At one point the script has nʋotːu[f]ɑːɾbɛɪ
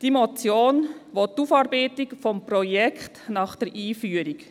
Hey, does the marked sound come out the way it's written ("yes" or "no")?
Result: yes